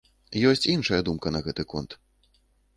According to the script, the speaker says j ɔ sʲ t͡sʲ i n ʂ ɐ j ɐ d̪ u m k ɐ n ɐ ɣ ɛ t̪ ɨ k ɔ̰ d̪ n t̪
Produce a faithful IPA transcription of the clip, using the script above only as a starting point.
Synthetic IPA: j ɔ sʲ t͡sʲ i n ʂ ɐ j ɐ d̪ u m k ɐ n ɐ ɣ ɛ t̪ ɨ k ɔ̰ n t̪